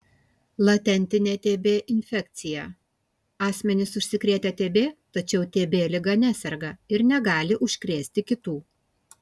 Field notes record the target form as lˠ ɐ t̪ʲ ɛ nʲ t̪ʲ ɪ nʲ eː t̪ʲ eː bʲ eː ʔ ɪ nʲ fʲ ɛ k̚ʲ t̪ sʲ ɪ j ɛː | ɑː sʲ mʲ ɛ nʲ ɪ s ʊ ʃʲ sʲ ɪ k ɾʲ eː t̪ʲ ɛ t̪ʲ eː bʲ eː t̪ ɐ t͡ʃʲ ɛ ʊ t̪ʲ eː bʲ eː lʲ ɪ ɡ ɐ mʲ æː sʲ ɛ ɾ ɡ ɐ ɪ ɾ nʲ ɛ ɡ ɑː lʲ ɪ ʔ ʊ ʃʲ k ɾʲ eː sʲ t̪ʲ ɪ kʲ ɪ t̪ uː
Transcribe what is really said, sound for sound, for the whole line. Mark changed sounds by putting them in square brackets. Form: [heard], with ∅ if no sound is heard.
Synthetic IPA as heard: lˠ ɐ t̪ʲ ɛ nʲ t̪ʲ ɪ nʲ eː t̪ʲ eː bʲ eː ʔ ɪ nʲ fʲ ɛ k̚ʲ t̪ sʲ ɪ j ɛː | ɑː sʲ mʲ ɛ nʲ ɪ s ʊ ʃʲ sʲ ɪ k ɾʲ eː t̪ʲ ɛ t̪ʲ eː bʲ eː t̪ ɐ t͡ʃʲ ɛ ʊ t̪ʲ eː bʲ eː lʲ ɪ ɡ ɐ [nʲ] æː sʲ ɛ ɾ ɡ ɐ ɪ ɾ nʲ ɛ ɡ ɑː lʲ ɪ ʔ ʊ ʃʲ k ɾʲ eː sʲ t̪ʲ ɪ kʲ ɪ t̪ uː